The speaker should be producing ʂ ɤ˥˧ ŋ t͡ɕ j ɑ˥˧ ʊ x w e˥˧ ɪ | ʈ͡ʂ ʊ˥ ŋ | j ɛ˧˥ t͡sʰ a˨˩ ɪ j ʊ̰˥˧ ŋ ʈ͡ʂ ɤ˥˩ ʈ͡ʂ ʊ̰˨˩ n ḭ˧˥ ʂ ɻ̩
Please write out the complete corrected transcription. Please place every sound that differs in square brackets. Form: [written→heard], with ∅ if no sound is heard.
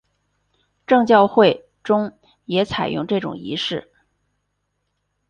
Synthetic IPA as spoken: [ʂ→ʈ͡ʂ] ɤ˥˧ ŋ t͡ɕ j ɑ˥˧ ʊ x w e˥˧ ɪ | ʈ͡ʂ ʊ˥ ŋ | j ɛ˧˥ t͡sʰ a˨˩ ɪ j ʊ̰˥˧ ŋ ʈ͡ʂ ɤ˥˩ ʈ͡ʂ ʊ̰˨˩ [n→ŋ] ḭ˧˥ ʂ ɻ̩